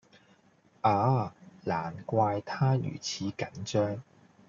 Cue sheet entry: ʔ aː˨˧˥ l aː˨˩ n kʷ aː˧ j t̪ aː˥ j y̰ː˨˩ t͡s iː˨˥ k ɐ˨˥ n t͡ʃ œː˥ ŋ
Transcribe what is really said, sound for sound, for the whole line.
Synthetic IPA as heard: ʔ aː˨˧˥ l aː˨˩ n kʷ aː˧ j t̪ʰ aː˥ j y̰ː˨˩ t͡sʰ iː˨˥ k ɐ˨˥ n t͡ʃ œː˥ ŋ